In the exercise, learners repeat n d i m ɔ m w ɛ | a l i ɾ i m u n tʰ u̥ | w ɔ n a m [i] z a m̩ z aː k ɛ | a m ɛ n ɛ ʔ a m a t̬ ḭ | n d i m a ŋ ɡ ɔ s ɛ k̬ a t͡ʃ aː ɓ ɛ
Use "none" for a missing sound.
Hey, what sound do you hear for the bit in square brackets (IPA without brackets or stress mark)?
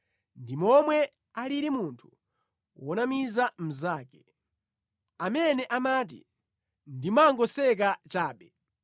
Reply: i